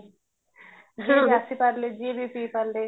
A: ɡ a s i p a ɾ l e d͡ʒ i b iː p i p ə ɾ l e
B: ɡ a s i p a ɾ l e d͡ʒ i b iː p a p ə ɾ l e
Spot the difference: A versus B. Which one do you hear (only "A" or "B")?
A